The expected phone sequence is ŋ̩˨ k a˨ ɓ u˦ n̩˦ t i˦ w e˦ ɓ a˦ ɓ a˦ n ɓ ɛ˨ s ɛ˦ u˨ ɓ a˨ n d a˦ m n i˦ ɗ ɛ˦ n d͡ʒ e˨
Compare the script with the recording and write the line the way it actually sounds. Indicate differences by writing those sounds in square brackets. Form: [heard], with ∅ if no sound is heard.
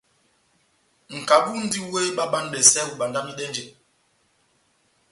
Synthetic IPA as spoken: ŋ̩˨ k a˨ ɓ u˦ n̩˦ [d] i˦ w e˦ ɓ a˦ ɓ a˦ n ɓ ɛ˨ s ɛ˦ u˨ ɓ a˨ n d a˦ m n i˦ ɗ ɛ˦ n d͡ʒ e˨